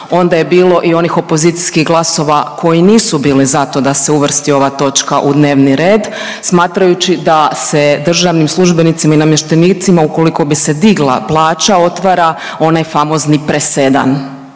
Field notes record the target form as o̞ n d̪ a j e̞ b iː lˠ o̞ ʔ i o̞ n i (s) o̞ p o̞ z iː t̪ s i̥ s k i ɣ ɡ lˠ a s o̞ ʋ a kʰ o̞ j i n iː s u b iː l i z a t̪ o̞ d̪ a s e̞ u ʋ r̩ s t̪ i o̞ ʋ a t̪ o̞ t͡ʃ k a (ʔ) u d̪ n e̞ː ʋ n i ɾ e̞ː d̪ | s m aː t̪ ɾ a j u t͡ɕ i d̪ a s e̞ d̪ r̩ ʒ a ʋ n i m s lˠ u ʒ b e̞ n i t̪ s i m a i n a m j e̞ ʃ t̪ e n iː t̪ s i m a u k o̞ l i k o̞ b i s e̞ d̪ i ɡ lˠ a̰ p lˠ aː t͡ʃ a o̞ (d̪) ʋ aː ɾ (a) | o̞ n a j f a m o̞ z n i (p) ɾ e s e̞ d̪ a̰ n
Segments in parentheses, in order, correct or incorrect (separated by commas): incorrect, correct, incorrect, correct, correct